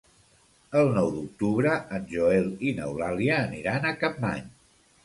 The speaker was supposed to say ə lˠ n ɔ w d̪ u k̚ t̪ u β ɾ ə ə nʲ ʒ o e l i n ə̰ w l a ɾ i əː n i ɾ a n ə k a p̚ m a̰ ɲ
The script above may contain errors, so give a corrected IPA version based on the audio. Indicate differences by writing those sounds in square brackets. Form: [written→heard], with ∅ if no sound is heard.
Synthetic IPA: ə lˠ n ɔ w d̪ u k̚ t̪ u β ɾ ə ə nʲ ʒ o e l i n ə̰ w l a [ɾ→l] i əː n i ɾ a n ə k a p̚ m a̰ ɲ